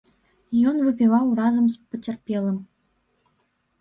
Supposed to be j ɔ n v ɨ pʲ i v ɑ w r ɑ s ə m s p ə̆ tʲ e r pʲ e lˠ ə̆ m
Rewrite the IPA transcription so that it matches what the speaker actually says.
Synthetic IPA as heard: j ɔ n v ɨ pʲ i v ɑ w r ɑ z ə m s p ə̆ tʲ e r pʲ e lˠ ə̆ m